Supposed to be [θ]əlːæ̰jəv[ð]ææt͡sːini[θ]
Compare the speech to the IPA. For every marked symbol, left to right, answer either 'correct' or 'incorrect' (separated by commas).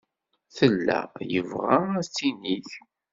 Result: correct, incorrect, correct